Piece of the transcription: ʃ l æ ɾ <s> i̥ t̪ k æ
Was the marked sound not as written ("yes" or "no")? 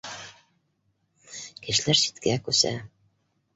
no